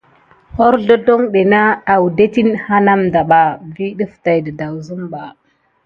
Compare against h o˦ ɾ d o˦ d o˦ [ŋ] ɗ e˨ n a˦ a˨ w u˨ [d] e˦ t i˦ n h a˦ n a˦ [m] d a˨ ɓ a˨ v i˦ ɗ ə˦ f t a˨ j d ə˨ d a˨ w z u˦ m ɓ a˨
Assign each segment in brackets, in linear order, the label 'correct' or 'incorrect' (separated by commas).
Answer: correct, correct, correct